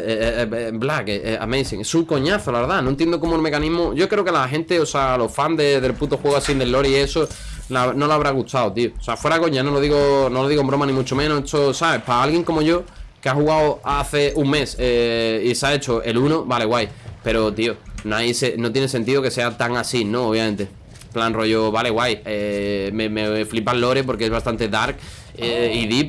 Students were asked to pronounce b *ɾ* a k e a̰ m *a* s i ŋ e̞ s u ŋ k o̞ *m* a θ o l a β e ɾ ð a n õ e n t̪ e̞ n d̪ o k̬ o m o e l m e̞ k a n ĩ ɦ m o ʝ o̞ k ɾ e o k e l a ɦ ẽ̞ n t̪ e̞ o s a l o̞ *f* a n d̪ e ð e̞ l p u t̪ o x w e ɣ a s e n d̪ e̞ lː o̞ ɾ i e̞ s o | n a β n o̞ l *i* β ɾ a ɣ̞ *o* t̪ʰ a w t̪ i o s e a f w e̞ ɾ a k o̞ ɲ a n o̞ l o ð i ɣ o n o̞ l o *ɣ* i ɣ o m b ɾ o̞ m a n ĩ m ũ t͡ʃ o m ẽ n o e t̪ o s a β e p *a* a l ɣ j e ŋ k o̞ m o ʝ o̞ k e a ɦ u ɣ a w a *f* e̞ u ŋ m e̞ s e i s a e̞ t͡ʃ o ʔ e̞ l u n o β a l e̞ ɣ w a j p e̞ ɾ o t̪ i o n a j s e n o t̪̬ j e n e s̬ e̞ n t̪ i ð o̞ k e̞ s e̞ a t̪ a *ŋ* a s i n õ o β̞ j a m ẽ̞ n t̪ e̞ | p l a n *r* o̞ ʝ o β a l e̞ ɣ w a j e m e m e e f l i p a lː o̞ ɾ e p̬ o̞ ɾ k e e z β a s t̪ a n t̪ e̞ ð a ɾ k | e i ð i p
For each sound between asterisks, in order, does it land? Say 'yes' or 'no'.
no, no, no, yes, no, no, no, yes, no, yes, yes

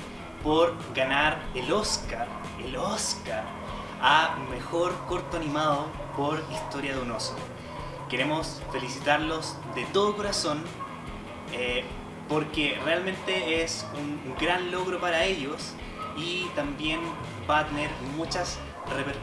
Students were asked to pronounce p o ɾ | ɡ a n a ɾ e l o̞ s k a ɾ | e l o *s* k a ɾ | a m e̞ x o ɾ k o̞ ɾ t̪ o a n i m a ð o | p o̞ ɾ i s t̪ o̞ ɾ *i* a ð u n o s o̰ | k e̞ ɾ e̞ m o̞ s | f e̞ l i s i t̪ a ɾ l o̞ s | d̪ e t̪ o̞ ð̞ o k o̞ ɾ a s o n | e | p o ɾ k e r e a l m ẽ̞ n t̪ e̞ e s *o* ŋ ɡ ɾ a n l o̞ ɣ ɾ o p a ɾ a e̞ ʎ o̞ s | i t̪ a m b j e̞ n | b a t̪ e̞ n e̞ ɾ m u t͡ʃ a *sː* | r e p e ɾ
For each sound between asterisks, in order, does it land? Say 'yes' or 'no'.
yes, no, no, no

